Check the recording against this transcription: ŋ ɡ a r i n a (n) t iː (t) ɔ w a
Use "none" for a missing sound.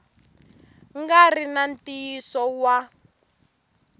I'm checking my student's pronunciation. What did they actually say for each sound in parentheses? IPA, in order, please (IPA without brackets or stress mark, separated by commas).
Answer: n, s